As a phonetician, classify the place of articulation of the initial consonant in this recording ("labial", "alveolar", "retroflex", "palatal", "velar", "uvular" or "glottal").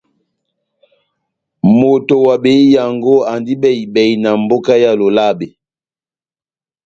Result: labial